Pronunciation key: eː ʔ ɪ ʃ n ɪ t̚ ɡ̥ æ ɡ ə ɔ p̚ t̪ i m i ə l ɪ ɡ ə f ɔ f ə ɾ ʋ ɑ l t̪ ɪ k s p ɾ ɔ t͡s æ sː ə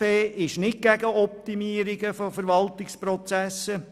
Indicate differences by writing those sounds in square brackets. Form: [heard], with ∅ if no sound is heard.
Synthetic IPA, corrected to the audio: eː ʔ ɪ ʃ n ɪ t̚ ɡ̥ æ ɡ ə ɔ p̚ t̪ i m i ə [ɾ] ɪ ɡ ə f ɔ f ə ɾ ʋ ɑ l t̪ ɪ k s p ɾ ɔ t͡s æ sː ə

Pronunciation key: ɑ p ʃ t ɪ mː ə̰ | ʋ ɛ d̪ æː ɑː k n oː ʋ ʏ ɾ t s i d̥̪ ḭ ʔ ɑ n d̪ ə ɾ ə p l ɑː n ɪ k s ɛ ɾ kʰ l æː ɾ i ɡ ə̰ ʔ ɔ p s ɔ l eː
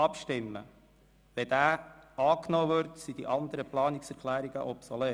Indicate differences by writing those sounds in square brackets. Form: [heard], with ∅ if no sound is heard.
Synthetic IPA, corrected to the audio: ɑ p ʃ t ɪ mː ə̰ | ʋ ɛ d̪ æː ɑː k n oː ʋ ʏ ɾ t s i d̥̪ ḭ ʔ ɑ n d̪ ə ɾ ə p l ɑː n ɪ k s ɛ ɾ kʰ l æː ɾ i ɡ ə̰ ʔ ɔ p s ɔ l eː

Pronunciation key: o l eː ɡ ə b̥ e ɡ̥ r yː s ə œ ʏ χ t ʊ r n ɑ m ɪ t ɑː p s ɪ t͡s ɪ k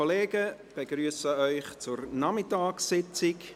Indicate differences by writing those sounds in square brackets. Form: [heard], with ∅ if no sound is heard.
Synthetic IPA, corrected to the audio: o l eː ɡ ə b̥ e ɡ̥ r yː s ə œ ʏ χ [t͡s] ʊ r n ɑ m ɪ t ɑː [k] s ɪ t͡s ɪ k

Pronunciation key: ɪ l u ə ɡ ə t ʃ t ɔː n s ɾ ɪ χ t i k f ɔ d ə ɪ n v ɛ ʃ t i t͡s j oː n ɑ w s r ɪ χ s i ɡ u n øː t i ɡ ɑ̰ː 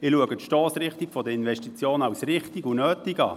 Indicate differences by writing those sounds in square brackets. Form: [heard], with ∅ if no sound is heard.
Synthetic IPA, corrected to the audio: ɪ l u ə ɡ ə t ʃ t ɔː [∅] s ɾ ɪ χ t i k f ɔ d ə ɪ n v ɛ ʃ t i t͡s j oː n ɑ w s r ɪ χ [t] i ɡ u n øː t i ɡ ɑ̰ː

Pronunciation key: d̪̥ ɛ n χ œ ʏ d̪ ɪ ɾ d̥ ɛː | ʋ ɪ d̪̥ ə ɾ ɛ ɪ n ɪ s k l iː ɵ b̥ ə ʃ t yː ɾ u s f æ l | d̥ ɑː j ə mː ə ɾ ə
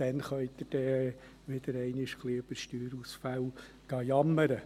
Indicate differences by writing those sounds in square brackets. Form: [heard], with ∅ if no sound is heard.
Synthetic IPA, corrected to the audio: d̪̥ ɛ n χ œ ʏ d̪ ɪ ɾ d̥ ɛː | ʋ ɪ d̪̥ ə ɾ ɛ ɪ n ɪ [ʃ] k l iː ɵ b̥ ə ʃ t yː ɾ u s f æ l | [ɡ̥] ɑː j [ɑ] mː ə ɾ ə

